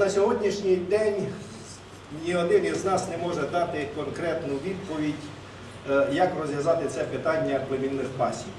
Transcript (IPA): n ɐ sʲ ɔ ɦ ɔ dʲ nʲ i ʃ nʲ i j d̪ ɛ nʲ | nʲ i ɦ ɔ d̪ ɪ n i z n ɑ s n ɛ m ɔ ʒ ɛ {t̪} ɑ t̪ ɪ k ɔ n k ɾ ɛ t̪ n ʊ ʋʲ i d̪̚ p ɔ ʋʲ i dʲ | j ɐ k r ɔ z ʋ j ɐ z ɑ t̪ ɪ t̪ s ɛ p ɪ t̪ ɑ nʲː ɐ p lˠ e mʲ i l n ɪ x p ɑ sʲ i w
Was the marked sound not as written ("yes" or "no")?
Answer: yes